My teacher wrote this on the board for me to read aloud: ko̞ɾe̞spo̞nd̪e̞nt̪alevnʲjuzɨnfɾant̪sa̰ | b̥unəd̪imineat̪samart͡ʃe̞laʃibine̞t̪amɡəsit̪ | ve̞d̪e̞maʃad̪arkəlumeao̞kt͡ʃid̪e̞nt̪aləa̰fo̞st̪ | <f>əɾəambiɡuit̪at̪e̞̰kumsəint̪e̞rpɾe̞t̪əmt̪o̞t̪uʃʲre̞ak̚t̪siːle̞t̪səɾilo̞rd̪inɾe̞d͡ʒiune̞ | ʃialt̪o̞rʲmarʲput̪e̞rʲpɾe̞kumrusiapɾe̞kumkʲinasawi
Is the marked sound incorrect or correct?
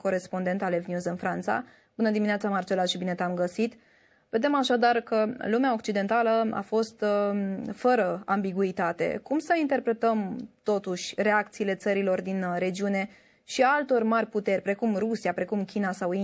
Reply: correct